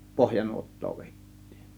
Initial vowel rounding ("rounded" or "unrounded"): rounded